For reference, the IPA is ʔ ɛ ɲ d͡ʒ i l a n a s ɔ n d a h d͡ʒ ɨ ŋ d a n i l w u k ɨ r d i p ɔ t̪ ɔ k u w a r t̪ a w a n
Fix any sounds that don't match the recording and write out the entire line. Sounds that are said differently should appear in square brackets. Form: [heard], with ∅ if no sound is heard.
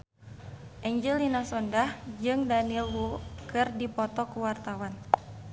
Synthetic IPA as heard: ʔ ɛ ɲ d͡ʒ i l [i] n a s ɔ n d a h d͡ʒ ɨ ŋ d a n i l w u k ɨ r d i p ɔ t̪ ɔ k u w a r t̪ a w a n